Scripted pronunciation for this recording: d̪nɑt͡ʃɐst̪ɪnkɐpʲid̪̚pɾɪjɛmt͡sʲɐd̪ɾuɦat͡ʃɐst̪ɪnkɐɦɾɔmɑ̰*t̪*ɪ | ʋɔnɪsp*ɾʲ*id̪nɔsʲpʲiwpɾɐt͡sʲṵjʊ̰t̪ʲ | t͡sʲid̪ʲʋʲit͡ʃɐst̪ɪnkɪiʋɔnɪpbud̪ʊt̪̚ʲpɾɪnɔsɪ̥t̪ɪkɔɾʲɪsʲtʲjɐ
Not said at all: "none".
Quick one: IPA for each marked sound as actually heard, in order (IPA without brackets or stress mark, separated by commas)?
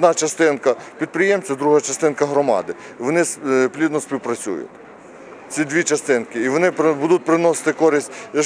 d̪, lʲ